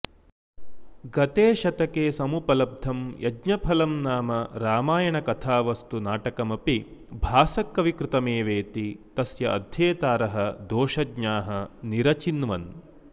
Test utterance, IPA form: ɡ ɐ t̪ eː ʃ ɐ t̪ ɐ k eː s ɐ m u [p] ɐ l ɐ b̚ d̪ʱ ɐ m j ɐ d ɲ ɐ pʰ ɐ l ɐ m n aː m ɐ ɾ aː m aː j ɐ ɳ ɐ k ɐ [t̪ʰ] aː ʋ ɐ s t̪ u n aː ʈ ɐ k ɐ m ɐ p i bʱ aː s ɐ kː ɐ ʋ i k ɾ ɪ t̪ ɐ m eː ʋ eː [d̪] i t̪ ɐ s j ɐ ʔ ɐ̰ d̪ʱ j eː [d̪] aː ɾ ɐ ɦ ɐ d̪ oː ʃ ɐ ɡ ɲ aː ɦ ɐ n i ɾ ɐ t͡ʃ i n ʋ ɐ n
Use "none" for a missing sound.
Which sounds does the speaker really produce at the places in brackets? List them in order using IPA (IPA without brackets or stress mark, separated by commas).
p, t̪ʰ, t̪, t̪